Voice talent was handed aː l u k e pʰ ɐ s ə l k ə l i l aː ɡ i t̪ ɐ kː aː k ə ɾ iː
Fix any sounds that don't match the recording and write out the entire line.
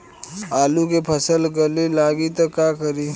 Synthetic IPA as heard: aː l u k e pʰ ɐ s ə l ɡ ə l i l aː ɡ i t̪ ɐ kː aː k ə ɾ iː